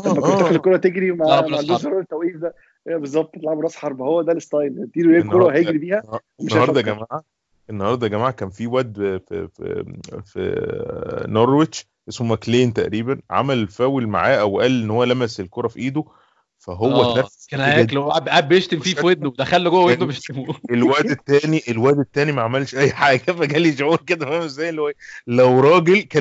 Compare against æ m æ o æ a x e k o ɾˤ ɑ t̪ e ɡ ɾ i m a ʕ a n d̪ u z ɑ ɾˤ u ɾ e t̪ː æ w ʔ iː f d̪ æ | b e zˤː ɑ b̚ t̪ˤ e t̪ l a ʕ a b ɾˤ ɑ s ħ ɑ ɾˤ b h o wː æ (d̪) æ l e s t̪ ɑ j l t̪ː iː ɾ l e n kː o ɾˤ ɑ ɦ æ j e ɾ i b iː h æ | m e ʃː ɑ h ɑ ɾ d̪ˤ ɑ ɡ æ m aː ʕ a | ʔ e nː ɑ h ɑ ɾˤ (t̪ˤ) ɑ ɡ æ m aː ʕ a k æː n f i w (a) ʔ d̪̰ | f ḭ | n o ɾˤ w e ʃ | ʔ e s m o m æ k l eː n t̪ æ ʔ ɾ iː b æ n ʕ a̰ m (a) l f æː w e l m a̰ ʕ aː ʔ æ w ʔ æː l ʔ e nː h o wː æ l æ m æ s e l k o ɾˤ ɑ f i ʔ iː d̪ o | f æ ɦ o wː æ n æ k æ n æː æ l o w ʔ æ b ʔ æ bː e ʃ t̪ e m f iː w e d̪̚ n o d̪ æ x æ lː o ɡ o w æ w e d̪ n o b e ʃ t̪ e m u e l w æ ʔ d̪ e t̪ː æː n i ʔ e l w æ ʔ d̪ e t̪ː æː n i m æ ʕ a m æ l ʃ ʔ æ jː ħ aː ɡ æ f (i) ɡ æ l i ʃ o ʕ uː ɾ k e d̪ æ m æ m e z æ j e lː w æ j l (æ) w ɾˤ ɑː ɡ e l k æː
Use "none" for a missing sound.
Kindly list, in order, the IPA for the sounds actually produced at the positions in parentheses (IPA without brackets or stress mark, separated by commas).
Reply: d̪, d̪ˤ, æ, æ, æ, æ